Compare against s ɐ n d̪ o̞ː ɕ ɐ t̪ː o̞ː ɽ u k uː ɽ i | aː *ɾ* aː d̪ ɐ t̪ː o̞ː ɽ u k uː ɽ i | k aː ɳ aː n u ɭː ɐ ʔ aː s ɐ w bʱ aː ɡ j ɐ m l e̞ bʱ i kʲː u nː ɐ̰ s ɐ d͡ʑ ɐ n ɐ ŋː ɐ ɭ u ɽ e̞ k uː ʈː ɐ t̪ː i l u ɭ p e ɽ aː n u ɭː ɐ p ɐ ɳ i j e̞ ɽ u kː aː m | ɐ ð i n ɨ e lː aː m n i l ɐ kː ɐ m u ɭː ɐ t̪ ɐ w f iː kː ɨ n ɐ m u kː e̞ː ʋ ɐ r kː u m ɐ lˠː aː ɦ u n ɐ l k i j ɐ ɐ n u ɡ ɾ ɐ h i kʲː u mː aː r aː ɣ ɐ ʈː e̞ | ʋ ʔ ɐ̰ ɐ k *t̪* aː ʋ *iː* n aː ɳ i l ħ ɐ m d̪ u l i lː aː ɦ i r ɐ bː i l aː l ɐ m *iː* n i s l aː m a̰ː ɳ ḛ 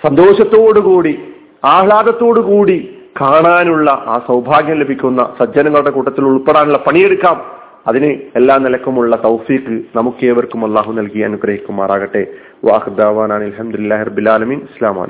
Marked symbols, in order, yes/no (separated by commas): no, no, no, yes